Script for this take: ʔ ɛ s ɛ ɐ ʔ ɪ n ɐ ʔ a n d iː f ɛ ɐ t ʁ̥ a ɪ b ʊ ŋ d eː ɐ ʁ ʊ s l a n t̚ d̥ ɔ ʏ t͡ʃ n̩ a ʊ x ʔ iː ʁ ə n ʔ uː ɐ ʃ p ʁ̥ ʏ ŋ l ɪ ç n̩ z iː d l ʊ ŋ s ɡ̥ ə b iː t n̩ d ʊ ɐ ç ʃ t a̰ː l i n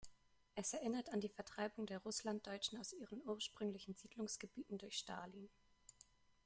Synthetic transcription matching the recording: ʔ ɛ s ɛ ɐ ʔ ɪ n ɐ t a n d iː f ɛ ɐ t ʁ̥ a ɪ b ʊ ŋ d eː ɐ ʁ ʊ s l a n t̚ d̥ ɔ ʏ t͡ʃ n̩ a ʊ s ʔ iː ʁ ə n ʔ uː ɐ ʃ p ʁ̥ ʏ ŋ l ɪ ç n̩ z iː d l ʊ ŋ s ɡ̥ ə b iː t n̩ d ʊ ɐ ç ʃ t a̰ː l i n